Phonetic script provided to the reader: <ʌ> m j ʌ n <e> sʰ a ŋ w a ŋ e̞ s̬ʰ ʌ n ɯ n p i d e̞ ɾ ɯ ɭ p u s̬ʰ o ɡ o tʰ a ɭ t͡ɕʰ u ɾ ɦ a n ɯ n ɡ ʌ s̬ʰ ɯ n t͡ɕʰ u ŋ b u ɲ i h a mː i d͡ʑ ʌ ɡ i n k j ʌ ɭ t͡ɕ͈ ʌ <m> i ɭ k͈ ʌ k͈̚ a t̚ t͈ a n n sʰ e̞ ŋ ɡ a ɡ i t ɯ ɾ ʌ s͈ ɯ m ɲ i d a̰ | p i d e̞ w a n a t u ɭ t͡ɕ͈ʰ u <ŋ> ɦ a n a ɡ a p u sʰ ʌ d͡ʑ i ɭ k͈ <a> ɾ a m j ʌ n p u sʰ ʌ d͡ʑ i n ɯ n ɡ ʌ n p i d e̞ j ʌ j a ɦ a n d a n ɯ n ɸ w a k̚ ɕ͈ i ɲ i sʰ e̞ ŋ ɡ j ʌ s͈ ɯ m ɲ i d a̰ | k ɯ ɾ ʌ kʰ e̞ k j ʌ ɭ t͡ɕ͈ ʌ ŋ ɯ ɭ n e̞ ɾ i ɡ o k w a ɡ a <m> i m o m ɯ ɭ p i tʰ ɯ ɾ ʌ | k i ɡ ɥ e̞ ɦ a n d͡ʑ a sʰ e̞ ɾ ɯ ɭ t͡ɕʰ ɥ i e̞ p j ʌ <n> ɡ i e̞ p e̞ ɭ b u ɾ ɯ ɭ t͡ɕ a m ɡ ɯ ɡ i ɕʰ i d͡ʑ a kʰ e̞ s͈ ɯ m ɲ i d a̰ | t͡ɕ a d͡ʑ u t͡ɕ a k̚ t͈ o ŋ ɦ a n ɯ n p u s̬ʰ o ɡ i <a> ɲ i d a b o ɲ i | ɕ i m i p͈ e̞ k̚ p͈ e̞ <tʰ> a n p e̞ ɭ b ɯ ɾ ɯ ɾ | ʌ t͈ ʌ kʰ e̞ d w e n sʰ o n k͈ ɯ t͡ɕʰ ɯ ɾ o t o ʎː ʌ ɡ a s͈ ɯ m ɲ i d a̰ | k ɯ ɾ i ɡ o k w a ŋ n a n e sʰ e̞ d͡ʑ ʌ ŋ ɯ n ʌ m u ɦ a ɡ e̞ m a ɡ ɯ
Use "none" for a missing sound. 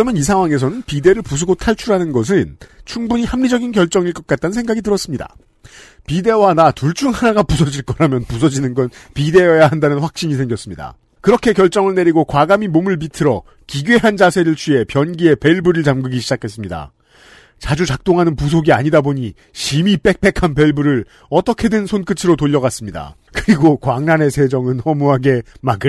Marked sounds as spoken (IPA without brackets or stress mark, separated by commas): ʌ, i, ŋ, ŋ, ʌ, m, n, a, kʰ